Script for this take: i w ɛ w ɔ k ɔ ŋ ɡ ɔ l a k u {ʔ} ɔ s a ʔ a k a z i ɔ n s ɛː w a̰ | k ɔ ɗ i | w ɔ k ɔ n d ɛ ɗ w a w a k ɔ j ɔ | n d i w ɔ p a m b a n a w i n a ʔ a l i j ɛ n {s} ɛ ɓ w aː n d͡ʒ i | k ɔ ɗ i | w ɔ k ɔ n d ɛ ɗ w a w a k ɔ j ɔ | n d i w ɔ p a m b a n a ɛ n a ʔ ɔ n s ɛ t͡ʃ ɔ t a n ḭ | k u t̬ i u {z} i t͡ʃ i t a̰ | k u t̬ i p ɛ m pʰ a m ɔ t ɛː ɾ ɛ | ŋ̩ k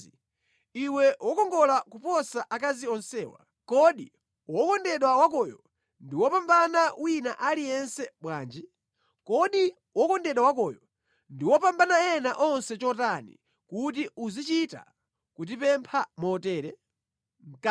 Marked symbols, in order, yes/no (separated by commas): no, yes, yes